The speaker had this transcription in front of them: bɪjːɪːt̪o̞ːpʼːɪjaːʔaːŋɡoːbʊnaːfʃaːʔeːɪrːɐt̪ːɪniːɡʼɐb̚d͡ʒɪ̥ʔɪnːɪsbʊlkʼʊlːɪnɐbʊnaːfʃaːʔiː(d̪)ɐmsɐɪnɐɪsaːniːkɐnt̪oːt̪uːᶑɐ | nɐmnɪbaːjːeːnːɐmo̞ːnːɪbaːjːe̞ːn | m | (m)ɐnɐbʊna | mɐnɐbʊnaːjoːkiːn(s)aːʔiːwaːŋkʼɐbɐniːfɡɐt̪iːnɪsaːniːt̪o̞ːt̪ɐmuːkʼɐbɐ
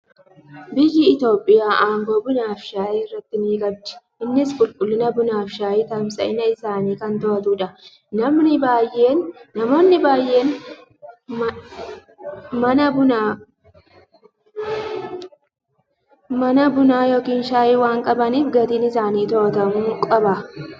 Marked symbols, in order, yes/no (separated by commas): no, yes, no